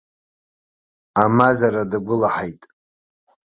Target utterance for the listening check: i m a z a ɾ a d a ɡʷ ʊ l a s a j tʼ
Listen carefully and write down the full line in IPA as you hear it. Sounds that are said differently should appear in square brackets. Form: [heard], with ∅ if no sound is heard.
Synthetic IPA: [a] m a z a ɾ a d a ɡʷ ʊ l a [ħ] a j tʼ